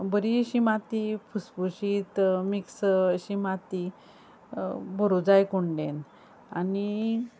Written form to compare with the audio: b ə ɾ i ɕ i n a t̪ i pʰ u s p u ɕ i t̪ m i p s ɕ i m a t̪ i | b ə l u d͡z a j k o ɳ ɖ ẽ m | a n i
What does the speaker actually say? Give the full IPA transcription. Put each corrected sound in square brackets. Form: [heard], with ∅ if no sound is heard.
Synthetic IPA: b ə ɾ i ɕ i [m] a t̪ i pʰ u s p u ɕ i t̪ m i [k] s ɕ i m a t̪ i | b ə [ɾ] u d͡z a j k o ɳ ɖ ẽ [n] | a n i